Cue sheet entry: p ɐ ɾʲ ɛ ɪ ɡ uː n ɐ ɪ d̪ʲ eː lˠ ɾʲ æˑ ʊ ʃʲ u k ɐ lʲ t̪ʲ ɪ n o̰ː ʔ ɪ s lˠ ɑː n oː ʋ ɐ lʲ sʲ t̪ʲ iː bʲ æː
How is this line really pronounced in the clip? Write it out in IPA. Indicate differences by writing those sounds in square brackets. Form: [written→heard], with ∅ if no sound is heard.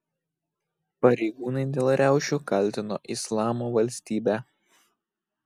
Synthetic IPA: p ɐ ɾʲ ɛ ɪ ɡ uː n ɐ ɪ d̪ʲ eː lˠ ɾʲ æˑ ʊ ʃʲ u k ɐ lʲ t̪ʲ ɪ n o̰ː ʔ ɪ s lˠ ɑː [n→m] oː ʋ ɐ lʲ sʲ t̪ʲ iː bʲ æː